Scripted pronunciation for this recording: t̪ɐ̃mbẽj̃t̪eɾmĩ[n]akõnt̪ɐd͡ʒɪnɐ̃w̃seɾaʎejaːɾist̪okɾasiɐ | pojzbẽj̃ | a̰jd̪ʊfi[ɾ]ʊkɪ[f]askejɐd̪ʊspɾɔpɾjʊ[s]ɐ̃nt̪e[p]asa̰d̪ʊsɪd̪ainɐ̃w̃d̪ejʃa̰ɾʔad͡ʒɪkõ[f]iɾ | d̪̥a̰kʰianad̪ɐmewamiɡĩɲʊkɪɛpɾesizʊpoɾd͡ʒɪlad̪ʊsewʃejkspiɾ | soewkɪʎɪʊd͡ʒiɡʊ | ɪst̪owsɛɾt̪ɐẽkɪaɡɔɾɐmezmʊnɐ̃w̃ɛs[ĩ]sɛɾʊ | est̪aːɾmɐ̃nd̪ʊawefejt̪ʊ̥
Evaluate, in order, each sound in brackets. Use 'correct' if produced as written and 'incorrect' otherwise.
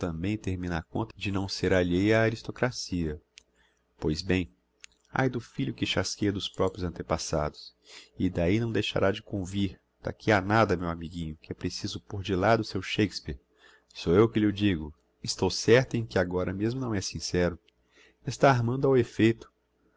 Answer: correct, incorrect: ʎ, incorrect: ʃ, incorrect: z, correct, incorrect: v, correct

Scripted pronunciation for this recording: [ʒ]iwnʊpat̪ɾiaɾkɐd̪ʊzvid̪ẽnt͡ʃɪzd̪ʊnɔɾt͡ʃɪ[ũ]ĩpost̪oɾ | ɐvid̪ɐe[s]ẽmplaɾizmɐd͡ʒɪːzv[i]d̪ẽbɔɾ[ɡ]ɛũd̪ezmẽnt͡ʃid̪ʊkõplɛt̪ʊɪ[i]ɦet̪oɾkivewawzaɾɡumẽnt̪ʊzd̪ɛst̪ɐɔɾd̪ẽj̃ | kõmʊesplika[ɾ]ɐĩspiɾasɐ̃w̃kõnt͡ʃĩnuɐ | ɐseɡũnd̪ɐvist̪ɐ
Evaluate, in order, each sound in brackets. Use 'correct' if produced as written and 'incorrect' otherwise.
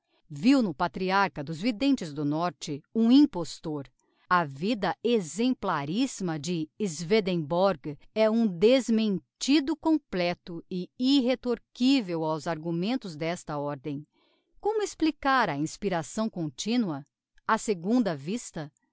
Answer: incorrect: v, correct, incorrect: z, incorrect: e, correct, correct, correct

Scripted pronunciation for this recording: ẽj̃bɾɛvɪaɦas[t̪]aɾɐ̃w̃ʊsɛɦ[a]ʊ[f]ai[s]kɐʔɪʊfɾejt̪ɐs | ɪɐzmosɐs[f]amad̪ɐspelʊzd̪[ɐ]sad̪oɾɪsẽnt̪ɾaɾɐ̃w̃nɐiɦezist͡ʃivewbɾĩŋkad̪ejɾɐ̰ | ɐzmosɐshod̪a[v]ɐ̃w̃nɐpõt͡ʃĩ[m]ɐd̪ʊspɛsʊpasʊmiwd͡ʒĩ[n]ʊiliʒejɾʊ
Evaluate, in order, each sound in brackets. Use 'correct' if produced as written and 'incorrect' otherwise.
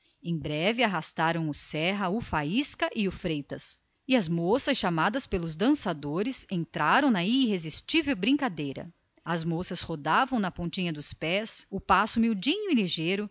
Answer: correct, incorrect: ɐ, correct, correct, incorrect: ʃ, incorrect: ɐ̃, correct, incorrect: ɲ, incorrect: ɲ

